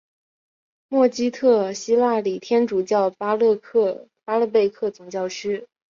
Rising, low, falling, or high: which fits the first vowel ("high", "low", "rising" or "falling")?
falling